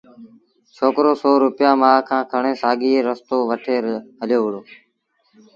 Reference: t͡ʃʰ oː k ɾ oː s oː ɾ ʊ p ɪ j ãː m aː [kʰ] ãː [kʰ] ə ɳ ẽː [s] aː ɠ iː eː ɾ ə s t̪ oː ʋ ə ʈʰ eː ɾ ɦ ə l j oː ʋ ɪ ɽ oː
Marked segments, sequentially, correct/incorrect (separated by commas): correct, correct, correct